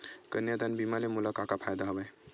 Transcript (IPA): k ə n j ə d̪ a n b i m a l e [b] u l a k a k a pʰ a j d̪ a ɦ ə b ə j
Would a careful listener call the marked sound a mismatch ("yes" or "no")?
yes